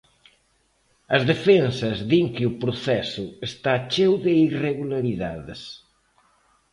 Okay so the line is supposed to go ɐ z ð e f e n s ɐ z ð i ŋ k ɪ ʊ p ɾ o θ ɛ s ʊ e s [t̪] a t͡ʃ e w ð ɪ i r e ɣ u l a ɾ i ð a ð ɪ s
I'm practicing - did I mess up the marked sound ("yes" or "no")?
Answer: no